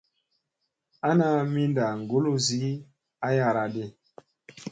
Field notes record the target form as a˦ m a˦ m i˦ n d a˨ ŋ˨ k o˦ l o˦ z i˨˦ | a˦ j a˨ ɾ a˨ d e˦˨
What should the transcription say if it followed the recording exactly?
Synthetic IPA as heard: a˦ n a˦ m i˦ n d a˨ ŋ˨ ɡ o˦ l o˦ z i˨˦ | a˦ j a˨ ɾ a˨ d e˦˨